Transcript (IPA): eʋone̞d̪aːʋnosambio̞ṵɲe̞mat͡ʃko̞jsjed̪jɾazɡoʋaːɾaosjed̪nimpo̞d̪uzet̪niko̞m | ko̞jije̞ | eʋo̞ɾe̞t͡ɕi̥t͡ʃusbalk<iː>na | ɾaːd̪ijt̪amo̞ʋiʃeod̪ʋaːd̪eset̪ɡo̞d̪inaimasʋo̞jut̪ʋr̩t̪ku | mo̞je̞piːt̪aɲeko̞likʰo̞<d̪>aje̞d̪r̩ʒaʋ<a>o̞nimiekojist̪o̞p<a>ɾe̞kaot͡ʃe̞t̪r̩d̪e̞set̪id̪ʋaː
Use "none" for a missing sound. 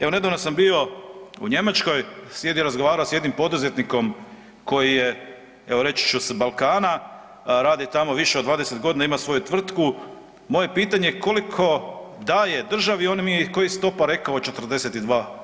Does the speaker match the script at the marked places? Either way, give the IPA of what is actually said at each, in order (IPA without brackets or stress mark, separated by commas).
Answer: aː, d̪, i, a